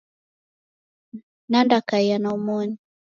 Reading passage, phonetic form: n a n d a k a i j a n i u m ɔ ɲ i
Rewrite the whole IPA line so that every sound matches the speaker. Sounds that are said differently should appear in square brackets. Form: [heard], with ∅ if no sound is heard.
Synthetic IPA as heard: n a n d a k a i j a n [a] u m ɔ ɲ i

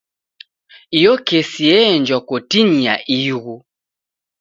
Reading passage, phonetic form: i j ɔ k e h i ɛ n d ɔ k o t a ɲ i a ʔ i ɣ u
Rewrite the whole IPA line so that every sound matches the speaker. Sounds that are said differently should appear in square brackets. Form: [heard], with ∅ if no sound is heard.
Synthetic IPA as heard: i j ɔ k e [s] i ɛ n [d͡ʒ] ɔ k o t [i] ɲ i a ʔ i ɣ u

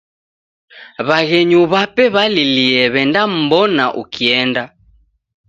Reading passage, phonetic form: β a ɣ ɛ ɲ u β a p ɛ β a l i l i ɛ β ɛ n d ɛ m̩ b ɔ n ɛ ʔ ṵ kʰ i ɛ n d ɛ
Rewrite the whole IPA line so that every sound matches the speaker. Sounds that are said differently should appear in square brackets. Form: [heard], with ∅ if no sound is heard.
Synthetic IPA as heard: β a ɣ ɛ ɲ u β a p ɛ β a l i l i ɛ β ɛ n d [a] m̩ b ɔ n [a] ʔ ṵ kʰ i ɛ n d [a]

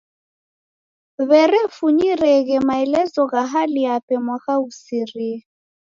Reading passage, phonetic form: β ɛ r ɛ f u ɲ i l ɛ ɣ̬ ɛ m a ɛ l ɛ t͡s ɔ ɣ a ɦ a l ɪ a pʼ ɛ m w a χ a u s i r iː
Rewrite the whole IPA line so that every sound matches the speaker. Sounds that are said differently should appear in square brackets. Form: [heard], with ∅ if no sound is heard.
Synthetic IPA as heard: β ɛ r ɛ f u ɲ i [r] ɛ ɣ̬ ɛ m a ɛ l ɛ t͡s ɔ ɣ a ɦ a l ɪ a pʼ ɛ m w a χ a u s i r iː

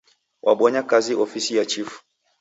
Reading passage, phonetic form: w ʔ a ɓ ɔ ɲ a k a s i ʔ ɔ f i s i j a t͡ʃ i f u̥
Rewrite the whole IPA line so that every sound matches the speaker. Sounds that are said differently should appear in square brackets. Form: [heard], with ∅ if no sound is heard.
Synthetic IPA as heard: w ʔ a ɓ ɔ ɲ a k a [z] i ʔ ɔ f i s i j a t͡ʃ i f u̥

